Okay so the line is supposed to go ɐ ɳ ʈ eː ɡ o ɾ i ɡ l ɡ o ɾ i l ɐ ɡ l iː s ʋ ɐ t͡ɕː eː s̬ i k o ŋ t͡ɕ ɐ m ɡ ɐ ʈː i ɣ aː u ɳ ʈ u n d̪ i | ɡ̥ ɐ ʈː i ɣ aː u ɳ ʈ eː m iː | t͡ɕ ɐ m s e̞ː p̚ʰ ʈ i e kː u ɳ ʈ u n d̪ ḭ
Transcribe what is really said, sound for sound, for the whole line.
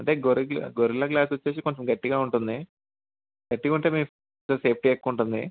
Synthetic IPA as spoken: ɐ ɳ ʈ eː ɡ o ɾ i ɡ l ɡ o ɾ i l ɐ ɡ l aː s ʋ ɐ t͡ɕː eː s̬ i k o ɲ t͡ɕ ɐ m ɡ ɐ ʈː i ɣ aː u ɳ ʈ u n d̪ i | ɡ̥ ɐ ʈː i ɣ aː u ɳ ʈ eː m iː | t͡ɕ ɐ m s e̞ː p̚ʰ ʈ i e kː u ɳ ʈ u n d̪ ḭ